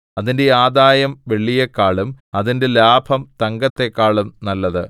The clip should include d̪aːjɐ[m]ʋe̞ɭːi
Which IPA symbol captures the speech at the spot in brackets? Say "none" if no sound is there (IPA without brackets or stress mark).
m